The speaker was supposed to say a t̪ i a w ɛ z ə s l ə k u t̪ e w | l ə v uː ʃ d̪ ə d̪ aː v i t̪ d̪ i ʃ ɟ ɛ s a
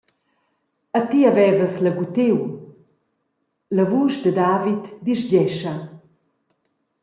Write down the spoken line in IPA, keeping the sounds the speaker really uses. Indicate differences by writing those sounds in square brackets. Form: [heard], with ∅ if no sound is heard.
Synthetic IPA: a t̪ i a [v] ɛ [v] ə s l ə [ɡ] u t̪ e w | l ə v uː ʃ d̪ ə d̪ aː v i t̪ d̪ i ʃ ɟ ɛ [ʃ] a